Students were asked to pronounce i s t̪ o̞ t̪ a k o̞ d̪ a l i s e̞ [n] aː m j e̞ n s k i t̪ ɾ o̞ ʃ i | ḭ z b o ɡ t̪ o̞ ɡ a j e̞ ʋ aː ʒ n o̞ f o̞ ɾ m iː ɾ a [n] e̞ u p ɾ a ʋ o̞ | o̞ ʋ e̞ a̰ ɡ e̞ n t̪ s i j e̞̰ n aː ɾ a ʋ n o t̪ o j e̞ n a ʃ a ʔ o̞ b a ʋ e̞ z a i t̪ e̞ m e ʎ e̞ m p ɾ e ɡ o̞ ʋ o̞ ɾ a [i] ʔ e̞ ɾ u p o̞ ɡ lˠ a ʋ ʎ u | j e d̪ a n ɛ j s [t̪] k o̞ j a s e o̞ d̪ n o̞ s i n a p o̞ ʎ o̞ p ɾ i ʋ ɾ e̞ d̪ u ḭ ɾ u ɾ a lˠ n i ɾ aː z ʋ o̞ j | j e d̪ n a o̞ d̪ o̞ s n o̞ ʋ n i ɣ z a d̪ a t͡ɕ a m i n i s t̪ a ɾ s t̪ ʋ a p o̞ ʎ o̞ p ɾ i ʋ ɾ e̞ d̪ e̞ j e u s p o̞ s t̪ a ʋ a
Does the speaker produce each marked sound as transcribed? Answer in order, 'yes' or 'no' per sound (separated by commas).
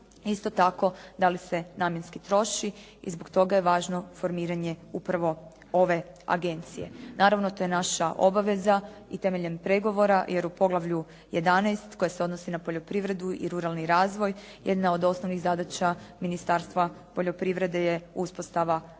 yes, no, no, yes